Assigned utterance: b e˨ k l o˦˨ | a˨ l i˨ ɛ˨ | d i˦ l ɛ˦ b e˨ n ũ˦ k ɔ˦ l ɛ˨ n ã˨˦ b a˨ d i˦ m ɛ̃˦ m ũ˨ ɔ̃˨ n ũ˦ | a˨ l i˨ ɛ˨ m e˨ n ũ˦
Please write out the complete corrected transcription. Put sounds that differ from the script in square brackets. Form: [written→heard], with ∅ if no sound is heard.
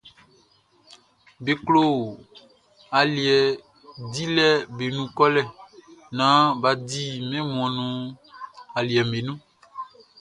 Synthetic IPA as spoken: b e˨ k l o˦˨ | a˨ l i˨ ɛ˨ | d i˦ l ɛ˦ b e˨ n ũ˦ k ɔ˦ l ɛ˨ n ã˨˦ b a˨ d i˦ m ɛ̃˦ m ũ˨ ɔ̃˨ n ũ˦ | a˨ l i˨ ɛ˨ m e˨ n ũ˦